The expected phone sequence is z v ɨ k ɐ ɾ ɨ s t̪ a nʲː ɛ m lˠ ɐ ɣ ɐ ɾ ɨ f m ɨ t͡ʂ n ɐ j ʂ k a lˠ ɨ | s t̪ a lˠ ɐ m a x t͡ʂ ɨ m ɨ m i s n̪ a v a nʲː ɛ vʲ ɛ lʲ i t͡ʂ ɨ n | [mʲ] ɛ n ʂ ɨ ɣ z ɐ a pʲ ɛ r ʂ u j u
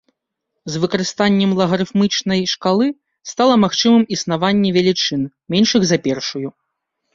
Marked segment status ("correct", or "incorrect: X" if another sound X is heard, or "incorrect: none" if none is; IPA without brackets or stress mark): correct